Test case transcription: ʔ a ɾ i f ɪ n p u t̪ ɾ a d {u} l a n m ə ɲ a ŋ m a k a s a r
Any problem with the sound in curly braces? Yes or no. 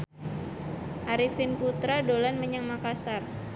yes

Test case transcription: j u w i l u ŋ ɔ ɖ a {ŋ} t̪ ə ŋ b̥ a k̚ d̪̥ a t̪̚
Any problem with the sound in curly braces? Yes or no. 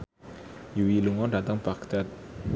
yes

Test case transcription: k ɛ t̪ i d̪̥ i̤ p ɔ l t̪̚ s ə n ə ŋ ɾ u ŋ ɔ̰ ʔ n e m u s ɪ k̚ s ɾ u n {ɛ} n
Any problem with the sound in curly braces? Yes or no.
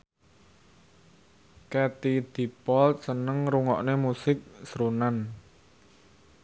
yes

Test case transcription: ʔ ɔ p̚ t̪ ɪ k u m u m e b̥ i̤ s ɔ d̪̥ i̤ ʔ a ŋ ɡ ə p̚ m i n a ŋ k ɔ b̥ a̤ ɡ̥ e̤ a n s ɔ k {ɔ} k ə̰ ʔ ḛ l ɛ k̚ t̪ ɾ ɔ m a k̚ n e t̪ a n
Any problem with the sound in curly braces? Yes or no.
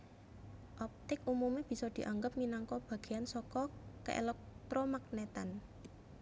no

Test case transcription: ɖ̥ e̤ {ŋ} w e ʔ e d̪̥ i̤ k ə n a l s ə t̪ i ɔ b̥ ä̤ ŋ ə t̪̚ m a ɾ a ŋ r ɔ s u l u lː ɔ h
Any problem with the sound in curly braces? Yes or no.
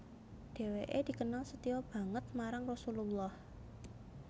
yes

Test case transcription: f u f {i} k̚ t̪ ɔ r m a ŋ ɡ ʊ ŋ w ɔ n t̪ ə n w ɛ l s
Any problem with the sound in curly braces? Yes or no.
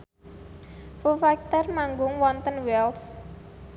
yes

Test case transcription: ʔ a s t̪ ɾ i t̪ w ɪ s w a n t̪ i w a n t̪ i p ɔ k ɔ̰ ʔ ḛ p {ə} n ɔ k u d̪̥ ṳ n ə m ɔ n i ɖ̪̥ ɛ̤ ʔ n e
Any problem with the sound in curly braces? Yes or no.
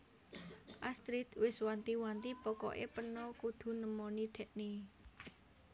no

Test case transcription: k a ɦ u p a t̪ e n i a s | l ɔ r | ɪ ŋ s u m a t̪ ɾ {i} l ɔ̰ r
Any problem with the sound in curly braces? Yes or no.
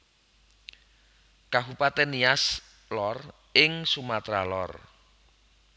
yes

